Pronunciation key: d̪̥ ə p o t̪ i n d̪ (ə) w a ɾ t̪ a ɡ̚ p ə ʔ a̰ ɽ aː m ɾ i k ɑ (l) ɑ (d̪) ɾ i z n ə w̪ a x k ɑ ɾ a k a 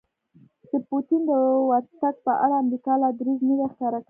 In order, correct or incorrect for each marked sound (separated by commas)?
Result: correct, correct, correct